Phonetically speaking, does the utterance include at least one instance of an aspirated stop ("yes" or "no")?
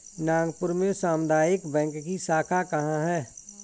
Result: yes